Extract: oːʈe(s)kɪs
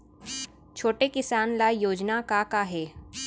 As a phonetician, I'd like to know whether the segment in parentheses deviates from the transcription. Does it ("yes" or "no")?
yes